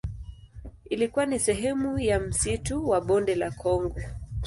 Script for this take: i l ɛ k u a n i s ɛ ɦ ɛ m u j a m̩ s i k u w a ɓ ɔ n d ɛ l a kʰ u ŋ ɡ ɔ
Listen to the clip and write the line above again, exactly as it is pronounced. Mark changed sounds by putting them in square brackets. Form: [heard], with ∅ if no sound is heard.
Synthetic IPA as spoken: i l [i] k u a n i s ɛ ɦ ɛ m u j a m̩ s i [t] u w a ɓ ɔ n d ɛ l a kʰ [ɔ] ŋ ɡ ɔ